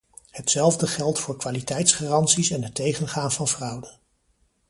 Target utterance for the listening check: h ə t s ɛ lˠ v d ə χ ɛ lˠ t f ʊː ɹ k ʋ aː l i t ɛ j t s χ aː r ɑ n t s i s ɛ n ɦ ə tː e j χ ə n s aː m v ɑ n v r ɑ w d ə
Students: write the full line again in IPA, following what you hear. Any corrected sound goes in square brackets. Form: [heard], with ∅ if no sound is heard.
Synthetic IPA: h ə t s ɛ lˠ v d ə χ ɛ lˠ t f ʊː ɹ k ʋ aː l i t ɛ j t s χ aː r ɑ n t s i s ɛ n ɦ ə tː e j χ ə n [χ] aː [n] v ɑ n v r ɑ w d ə